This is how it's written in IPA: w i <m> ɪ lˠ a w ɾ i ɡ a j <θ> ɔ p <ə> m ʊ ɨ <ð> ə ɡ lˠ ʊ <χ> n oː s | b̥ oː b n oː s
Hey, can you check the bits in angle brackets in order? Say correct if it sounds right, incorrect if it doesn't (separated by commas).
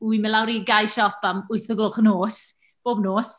correct, incorrect, incorrect, incorrect, correct